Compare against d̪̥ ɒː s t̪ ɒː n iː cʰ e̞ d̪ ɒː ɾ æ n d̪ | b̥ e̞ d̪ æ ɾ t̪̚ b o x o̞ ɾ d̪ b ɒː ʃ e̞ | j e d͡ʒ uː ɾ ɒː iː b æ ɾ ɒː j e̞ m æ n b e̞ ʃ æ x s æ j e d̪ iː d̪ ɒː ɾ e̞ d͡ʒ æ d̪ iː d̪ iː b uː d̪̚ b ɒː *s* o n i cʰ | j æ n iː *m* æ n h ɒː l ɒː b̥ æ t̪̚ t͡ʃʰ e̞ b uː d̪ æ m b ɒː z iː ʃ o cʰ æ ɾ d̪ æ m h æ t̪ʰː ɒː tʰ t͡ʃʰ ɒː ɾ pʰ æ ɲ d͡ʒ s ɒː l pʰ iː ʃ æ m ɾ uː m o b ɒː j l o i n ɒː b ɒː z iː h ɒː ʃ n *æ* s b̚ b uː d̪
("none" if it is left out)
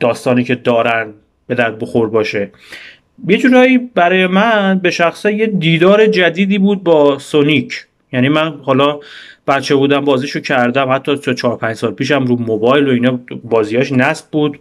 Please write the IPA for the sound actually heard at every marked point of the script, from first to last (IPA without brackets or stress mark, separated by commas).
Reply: s, m, æ